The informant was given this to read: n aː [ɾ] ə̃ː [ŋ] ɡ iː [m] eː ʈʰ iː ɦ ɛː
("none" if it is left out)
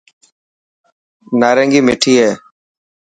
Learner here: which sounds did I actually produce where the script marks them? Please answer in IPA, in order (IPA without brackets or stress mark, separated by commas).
ɾ, ŋ, m